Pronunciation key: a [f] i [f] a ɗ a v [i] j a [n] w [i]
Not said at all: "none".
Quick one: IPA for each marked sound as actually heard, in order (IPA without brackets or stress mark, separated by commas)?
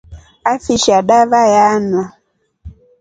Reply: f, ʃ, a, n, a